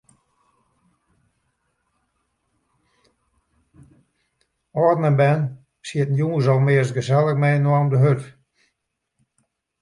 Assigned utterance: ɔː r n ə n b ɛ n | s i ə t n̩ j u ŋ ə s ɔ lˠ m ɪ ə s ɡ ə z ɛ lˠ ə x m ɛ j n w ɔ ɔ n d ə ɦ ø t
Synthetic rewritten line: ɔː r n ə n b ɛ n | s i ə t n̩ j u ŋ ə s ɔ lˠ m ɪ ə s ɡ ə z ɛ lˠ ə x m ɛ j n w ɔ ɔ m d ə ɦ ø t